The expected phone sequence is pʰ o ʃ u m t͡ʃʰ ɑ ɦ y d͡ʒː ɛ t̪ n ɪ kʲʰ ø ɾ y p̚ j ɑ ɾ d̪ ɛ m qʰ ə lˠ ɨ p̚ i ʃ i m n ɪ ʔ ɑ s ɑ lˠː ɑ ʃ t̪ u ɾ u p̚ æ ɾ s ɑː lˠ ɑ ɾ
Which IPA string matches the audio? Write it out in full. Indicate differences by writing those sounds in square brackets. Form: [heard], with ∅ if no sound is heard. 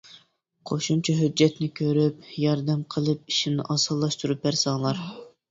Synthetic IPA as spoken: [qʰ] o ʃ u m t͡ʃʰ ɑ ɦ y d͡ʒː ɛ t̪ n ɪ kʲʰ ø ɾ y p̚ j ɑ ɾ d̪ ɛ m qʰ ə lˠ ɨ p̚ i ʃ i m n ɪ ʔ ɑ s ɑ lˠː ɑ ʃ t̪ u ɾ u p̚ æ ɾ s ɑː lˠ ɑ ɾ